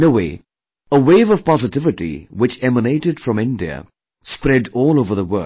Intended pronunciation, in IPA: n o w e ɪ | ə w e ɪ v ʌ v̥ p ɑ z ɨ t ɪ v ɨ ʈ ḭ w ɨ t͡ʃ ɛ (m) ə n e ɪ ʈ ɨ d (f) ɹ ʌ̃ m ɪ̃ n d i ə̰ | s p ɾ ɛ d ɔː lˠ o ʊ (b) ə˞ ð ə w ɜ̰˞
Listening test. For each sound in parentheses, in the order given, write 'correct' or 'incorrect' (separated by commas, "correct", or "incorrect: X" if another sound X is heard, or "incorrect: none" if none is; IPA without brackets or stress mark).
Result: correct, correct, incorrect: v